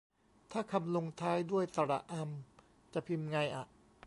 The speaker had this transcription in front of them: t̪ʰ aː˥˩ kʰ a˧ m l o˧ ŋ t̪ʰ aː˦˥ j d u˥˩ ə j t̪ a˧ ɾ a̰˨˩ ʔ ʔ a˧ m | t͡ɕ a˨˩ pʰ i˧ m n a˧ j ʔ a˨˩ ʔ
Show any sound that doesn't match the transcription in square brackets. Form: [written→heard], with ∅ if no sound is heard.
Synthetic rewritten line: t̪ʰ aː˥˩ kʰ a˧ m l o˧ ŋ t̪ʰ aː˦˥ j d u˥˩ ə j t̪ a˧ ɾ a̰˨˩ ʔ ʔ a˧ m | t͡ɕ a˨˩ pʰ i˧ m [n→ŋ] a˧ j ʔ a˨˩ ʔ